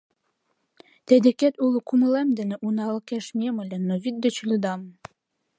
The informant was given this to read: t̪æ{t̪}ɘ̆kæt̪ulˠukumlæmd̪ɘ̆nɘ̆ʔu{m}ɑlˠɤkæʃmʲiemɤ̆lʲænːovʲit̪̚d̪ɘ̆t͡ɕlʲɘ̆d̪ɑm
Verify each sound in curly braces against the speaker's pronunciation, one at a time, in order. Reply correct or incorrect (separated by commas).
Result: incorrect, incorrect